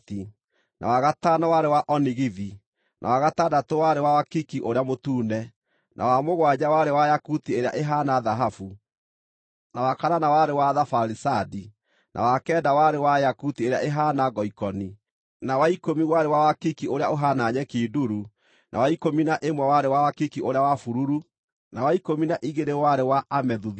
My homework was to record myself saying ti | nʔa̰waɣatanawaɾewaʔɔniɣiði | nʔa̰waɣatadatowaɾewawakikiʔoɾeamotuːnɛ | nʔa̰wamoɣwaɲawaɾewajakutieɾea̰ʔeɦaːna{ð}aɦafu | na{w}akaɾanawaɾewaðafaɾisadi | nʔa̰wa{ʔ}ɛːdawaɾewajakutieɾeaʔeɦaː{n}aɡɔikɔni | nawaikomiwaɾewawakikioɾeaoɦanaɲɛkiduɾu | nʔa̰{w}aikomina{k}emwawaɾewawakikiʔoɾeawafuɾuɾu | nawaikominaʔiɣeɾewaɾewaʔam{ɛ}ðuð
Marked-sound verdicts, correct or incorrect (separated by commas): correct, correct, incorrect, correct, correct, incorrect, correct